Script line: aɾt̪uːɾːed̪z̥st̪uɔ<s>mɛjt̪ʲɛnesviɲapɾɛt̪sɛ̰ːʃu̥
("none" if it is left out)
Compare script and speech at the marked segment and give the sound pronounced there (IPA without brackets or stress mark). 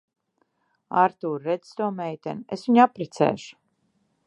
none